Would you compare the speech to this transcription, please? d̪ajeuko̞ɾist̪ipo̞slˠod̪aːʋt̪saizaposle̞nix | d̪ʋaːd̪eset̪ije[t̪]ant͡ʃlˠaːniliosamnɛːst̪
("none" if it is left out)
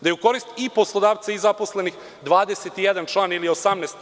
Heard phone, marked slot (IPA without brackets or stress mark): d̪